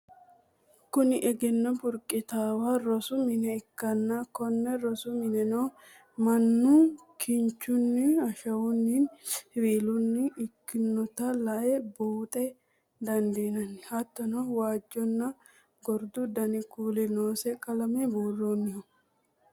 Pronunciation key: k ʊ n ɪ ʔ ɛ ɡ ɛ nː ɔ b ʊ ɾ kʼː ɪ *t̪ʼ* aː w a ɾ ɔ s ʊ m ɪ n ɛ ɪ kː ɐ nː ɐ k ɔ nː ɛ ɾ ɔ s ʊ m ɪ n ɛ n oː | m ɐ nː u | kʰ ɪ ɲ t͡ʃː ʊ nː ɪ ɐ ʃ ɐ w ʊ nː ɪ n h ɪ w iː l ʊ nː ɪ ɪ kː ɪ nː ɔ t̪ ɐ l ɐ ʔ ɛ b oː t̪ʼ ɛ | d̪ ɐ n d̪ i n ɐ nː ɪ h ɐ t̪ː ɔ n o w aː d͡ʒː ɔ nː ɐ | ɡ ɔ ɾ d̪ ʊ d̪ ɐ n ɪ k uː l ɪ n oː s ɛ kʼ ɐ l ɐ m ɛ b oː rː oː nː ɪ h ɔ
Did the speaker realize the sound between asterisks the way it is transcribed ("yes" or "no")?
no